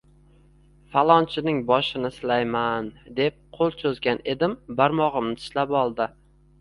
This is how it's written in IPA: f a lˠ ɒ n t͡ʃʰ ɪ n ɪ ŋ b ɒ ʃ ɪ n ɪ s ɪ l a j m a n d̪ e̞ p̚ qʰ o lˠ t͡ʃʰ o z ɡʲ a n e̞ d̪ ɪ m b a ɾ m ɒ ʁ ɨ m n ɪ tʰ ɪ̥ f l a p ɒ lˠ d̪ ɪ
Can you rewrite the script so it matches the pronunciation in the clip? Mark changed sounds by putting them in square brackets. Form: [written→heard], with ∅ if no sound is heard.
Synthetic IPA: f a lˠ ɒ n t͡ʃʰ ɪ n ɪ ŋ b ɒ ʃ ɪ n ɪ s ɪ l a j m a n d̪ e̞ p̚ qʰ o lˠ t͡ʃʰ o z ɡʲ a n e̞ d̪ ɪ m b a ɾ m ɒ ʁ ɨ m n ɪ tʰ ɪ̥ [f→ʃ] l a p ɒ lˠ d̪ ɪ